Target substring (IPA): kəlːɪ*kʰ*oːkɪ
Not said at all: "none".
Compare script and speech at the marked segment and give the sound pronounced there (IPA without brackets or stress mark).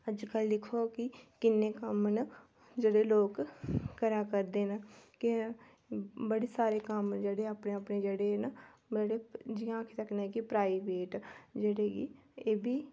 kʰ